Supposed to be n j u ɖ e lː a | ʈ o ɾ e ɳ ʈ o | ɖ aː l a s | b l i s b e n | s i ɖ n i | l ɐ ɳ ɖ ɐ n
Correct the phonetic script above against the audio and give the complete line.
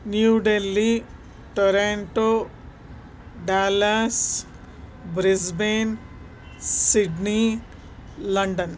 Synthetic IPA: n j u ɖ e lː i | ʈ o ɾ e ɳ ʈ o | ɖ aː l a s | b ɾ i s b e n | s i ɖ n i | l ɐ ɳ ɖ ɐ n

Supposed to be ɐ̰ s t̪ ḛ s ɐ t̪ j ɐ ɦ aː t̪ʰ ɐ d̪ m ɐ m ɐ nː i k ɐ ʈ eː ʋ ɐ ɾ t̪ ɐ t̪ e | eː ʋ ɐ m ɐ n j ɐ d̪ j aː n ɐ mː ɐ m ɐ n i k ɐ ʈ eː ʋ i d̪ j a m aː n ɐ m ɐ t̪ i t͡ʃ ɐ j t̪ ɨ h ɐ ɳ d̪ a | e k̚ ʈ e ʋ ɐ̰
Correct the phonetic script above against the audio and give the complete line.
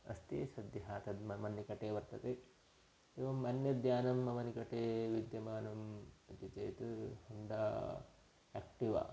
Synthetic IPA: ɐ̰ s t̪ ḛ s ɐ d̪ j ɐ ɦ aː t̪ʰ ɐ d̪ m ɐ m ɐ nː i k ɐ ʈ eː ʋ ɐ ɾ t̪ ɐ t̪ e | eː ʋ ɐ m ɐ n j ɐ d̪ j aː n ɐ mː ɐ m ɐ n i k ɐ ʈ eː ʋ i d̪ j ɐ m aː n ɐ m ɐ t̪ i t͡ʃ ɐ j t̪ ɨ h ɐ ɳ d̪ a | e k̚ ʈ i ʋ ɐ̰

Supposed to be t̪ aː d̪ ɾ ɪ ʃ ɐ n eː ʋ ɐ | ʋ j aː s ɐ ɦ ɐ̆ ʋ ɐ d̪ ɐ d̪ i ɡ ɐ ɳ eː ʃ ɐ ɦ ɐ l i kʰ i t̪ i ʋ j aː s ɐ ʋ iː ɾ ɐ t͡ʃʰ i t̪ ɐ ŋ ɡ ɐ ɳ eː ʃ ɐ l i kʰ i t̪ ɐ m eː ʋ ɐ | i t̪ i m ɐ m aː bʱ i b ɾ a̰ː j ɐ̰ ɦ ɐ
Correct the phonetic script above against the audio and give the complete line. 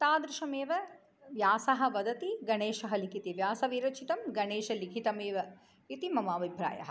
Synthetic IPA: t̪ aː d̪ ɾ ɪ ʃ ɐ m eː ʋ ɐ | ʋ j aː s ɐ ɦ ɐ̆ ʋ ɐ d̪ ɐ t̪ i ɡ ɐ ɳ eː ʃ ɐ ɦ ɐ l i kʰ i t̪ i ʋ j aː s ɐ ʋ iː ɾ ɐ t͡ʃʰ i t̪ ɐ m ɡ ɐ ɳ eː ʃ ɐ l i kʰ i t̪ ɐ m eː ʋ ɐ | i t̪ i m ɐ m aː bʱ i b ɾ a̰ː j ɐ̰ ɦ ɐ

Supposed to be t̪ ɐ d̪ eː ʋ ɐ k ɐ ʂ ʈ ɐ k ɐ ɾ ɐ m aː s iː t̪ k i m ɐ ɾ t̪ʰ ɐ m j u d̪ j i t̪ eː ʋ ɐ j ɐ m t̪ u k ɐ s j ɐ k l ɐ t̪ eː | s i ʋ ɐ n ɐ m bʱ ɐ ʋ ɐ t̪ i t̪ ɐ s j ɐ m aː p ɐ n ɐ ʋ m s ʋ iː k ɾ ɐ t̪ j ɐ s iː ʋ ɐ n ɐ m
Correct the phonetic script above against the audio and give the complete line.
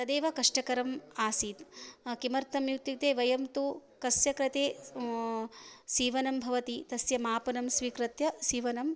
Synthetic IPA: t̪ ɐ d̪ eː ʋ ɐ k ɐ ʂ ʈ ɐ k ɐ ɾ ɐ m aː s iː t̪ k i m ɐ ɾ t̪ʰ ɐ m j u t̪ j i t̪ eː ʋ ɐ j ɐ m t̪ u k ɐ s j ɐ k ɾ ɐ t̪ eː | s iː ʋ ɐ n ɐ m bʱ ɐ ʋ ɐ t̪ i t̪ ɐ s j ɐ m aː p ɐ n ɐ m s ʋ iː k ɾ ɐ t̪ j ɐ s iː ʋ ɐ n ɐ m

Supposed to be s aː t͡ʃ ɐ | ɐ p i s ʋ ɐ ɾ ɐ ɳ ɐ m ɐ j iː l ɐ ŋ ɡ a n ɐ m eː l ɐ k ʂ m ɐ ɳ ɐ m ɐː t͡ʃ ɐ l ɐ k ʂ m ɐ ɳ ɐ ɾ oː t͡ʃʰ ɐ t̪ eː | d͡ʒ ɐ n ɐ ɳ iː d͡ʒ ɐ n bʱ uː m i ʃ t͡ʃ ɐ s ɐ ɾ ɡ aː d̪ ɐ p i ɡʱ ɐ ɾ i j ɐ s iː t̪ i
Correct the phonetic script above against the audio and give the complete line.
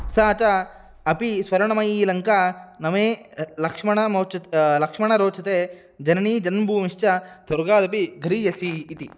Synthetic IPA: s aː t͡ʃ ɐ | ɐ p i s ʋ ɐ ɾ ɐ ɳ ɐ m ɐ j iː l ɐ ŋ k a n ɐ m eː l ɐ k ʂ m ɐ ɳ ɐ m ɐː t͡ʃ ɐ l ɐ k ʂ m ɐ ɳ ɐ ɾ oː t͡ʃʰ ɐ t̪ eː | d͡ʒ ɐ n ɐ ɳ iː d͡ʒ ɐ n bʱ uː m i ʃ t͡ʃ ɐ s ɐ ɾ ɡ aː d̪ ɐ p i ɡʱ ɐ ɾ i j ɐ s iː t̪ i

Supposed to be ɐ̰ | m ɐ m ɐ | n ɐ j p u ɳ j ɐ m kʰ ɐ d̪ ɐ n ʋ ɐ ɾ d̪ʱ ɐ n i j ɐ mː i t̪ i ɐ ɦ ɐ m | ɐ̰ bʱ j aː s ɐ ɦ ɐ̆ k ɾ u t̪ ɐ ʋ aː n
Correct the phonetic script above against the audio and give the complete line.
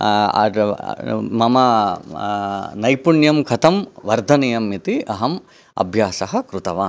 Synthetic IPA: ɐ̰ | m ɐ m ɐ | n ɐ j p u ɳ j ɐ m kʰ ɐ t̪ ɐ m ʋ ɐ ɾ d̪ʱ ɐ n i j ɐ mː i t̪ i ɐ ɦ ɐ m | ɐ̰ bʱ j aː s ɐ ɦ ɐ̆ k ɾ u t̪ ɐ ʋ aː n

